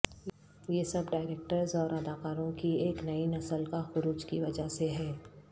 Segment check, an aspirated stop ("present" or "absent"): absent